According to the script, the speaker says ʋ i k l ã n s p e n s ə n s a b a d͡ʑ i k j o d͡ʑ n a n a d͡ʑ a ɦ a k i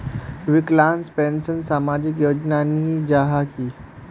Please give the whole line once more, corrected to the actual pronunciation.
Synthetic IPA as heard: ʋ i k l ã n s p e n s ə n s a m a d͡ʑ i k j o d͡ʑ n a n i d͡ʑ a ɦ a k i

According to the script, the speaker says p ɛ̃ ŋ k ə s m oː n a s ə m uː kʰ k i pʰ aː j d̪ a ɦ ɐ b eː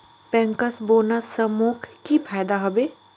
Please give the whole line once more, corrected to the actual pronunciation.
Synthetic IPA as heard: p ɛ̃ ŋ k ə s b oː n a s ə m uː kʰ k i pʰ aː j d̪ a ɦ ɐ b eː

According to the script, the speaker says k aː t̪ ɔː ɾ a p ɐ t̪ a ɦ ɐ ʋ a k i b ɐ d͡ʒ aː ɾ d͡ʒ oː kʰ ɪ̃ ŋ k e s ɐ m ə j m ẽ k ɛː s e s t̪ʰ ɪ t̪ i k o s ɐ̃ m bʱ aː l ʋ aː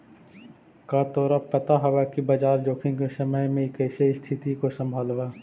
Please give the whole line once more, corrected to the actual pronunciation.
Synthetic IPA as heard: k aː t̪ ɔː ɾ a p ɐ t̪ a ɦ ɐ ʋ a k i b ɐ d͡ʒ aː ɾ d͡ʒ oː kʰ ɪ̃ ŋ k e s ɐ m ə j m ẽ k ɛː s e s t̪ʰ ɪ t̪ i k o s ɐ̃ m bʱ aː l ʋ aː

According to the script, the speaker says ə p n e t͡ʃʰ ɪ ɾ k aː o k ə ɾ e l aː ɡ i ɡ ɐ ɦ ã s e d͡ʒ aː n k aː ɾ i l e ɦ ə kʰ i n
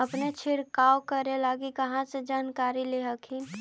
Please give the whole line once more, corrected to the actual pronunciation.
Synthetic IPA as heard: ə p n e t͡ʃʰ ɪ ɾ k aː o k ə ɾ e l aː ɡ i k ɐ ɦ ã s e d͡ʒ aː n k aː ɾ i l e ɦ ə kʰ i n

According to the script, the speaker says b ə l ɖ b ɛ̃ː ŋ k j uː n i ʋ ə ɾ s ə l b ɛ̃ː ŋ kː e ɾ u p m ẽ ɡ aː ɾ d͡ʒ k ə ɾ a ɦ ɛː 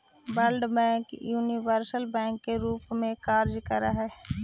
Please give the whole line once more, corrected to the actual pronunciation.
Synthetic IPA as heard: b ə l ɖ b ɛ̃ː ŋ k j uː n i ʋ ə ɾ s ə l b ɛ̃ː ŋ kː e ɾ uː p m ẽ k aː ɾ d͡ʒ k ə ɾ a ɦ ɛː

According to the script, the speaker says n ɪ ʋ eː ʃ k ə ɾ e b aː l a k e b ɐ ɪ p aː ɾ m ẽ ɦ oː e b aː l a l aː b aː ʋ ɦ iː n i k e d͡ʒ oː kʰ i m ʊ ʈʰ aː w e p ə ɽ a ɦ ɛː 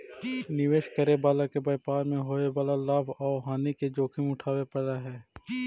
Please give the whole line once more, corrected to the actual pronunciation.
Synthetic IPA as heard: n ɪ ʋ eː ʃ k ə ɾ e b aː l a k e b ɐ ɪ p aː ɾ m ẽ ɦ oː e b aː l a l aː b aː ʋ ɦ aː n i k e d͡ʒ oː kʰ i m ʊ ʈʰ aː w e p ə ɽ a ɦ ɛː

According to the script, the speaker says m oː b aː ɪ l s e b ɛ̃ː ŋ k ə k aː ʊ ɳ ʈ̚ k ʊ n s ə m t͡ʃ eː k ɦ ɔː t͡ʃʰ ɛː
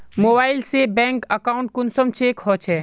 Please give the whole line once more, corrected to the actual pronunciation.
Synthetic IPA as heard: m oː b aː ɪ l s e b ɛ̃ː ŋ k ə k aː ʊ ɳ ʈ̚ k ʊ n s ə m t͡ʃ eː k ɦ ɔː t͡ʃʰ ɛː

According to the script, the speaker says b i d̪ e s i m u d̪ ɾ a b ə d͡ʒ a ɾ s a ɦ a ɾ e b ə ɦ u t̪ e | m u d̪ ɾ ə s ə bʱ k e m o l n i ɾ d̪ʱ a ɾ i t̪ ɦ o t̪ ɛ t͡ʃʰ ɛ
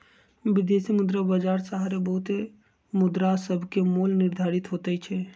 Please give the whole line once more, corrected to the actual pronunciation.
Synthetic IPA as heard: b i d̪ e s i m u d̪ ɾ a b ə d͡ʒ a ɾ s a ɦ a ɾ e b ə ɦ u t̪ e | m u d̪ ɾ a s ə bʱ k e m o l n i ɾ d̪ʱ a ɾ i t̪ ɦ o t̪ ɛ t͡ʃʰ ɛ

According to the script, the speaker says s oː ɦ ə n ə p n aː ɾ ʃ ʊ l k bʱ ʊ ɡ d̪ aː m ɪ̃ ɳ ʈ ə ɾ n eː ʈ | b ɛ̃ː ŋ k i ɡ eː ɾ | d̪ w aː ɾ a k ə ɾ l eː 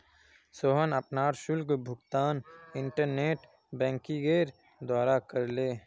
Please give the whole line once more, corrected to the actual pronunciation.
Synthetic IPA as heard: s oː ɦ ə n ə p n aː ɾ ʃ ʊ l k bʱ ʊ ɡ t̪ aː n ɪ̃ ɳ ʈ ə ɾ n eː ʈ | b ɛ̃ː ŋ k i ɡ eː ɾ | d̪ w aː ɾ a k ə ɾ l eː

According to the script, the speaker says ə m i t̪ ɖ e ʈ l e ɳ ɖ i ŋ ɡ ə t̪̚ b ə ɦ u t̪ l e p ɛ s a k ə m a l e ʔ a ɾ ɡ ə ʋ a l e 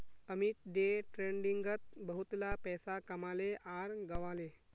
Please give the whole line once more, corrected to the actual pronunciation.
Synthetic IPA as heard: ə m i t̪ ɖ e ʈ ɾ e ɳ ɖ i ŋ ɡ ə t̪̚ b ə ɦ u t̪ l a p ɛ s a k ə m a l e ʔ a ɾ ɡ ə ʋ a l e

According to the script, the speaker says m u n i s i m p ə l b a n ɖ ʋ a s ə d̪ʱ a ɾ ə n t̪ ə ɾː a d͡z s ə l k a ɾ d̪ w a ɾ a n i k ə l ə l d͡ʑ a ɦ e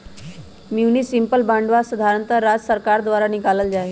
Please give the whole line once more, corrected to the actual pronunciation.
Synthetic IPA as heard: m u n i s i m p ə l b a ɳ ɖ ʋ a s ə d̪ʱ a ɾ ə n t̪ ə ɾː a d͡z s ə ɾ k a ɾ d̪ ʋ a ɾ a n i k a l ə l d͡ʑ a ɦ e

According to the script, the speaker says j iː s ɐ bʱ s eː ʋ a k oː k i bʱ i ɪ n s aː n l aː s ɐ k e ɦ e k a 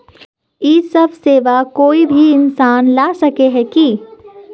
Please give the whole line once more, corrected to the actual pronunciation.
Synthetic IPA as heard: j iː s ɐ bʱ s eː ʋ a k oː i bʱ i ɪ n s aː n l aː s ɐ k e ɦ ɛ k i

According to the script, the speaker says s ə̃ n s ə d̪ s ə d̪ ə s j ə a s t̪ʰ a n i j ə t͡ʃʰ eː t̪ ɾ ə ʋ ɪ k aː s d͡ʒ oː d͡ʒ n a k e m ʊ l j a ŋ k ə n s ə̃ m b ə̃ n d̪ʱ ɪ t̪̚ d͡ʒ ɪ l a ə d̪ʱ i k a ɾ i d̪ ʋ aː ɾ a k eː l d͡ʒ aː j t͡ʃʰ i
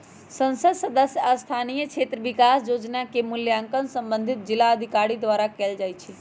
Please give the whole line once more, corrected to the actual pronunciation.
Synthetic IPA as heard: s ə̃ n s ə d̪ s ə d̪ ə s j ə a s t̪ʰ a n i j ə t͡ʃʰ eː t̪ ɾ ə ʋ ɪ k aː s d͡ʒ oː d͡ʒ n a k e m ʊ l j a ŋ k ə n s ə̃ m b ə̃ n d̪ʱ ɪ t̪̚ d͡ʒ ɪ l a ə d̪ʱ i k a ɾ i d̪ ʋ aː ɾ a k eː l d͡ʒ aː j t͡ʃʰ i

